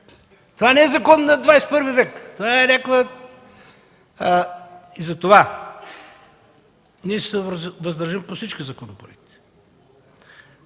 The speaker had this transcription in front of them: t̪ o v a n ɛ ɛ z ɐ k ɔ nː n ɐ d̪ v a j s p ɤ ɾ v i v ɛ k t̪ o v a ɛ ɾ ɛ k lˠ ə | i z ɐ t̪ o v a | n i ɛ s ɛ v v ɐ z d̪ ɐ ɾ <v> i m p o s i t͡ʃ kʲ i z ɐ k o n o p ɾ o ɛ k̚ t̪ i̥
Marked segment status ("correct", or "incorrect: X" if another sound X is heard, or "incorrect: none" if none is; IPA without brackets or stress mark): incorrect: ʒ